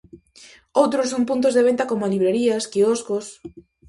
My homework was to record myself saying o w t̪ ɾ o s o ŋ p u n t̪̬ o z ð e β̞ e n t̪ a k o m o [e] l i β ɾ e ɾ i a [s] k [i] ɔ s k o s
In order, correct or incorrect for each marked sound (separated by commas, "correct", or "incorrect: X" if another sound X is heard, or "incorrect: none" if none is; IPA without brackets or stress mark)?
incorrect: a, correct, correct